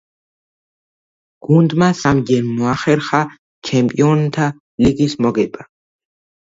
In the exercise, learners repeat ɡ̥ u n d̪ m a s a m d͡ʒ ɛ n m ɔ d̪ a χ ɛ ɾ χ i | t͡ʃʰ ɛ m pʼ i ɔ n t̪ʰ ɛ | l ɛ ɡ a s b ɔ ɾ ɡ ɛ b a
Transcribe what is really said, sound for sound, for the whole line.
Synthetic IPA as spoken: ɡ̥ u n d̪ m a s a m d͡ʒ ɛ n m ɔ a χ ɛ ɾ χ a | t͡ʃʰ ɛ m pʼ i ɔ n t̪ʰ a | l i ɡ i s m ɔ ɡ ɛ b a